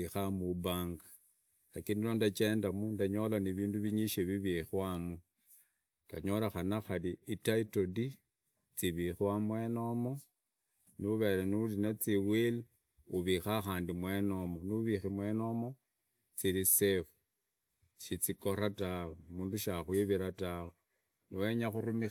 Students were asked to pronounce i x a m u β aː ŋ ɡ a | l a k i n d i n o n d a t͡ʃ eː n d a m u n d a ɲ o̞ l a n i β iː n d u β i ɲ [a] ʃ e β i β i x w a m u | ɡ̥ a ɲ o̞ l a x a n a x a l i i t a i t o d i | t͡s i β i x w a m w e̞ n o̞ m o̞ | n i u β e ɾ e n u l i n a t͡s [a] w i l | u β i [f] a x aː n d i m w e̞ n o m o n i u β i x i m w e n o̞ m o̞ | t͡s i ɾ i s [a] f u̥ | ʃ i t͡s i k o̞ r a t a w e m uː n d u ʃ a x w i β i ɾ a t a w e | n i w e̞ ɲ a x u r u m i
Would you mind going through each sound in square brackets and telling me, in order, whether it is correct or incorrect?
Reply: incorrect, incorrect, incorrect, incorrect

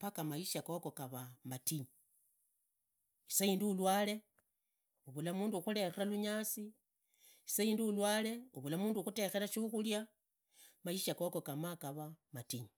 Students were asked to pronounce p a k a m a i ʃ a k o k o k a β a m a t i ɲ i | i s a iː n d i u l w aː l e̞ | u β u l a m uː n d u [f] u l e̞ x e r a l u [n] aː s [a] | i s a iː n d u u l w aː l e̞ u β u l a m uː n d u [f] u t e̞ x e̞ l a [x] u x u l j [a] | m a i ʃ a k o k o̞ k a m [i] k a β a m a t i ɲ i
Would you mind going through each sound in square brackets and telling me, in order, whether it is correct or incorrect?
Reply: incorrect, incorrect, incorrect, incorrect, incorrect, correct, incorrect

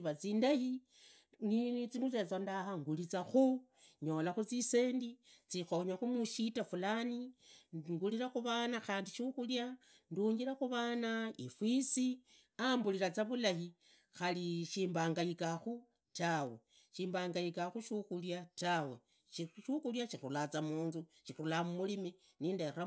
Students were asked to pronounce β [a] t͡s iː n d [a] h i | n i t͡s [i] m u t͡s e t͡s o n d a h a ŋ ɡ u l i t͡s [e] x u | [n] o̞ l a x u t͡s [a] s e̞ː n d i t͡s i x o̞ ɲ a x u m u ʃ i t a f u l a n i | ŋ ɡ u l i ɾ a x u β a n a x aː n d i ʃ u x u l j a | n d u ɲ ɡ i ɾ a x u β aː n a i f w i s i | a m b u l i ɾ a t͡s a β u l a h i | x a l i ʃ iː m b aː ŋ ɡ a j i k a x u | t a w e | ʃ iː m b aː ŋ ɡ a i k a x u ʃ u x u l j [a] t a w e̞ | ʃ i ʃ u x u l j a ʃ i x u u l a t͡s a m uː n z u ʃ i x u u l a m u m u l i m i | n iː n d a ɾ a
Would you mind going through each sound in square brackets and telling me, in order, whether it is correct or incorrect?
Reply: correct, correct, correct, incorrect, incorrect, incorrect, correct

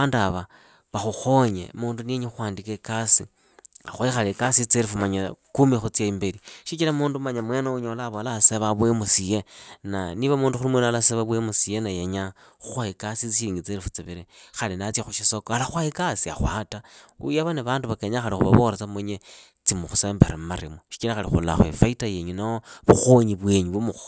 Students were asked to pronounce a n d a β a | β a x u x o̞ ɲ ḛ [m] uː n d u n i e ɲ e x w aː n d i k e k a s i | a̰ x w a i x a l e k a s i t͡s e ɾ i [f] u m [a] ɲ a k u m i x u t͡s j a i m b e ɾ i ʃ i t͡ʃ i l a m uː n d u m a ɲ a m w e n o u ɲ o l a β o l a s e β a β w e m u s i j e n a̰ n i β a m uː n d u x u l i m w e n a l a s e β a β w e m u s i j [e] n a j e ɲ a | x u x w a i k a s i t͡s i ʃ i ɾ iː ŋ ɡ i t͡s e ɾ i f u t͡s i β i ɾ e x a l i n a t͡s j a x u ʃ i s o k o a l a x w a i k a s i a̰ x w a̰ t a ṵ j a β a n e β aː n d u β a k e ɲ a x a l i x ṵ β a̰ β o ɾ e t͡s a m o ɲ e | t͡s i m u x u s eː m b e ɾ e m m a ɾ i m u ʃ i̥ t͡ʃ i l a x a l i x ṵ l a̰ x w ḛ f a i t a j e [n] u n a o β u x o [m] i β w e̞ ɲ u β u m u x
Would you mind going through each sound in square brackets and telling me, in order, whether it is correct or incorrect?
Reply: correct, correct, correct, correct, incorrect, incorrect

